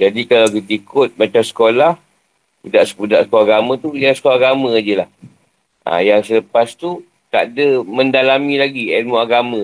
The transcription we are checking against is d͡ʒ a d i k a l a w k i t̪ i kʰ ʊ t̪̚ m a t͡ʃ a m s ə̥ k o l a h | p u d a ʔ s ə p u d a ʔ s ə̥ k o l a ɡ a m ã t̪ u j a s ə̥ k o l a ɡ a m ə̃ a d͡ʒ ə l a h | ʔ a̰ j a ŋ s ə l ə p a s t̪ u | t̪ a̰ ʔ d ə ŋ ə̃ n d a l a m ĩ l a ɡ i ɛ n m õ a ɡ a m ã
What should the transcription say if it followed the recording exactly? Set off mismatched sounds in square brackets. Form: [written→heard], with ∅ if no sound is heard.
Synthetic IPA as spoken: d͡ʒ a d i k a l a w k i t̪ i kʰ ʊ t̪̚ m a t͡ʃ a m s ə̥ k o l a h | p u d a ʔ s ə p u d a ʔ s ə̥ k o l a ɡ a m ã t̪ u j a s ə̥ k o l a ɡ a m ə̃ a d͡ʒ ə l a h | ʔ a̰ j a ŋ s ə l ə p a s t̪ u | t̪ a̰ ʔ d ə [ŋ→m] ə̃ n d a l a m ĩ l a ɡ i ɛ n m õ a ɡ a m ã